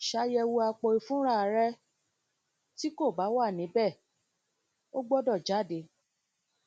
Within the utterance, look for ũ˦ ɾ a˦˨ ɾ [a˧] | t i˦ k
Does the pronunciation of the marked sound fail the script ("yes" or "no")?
yes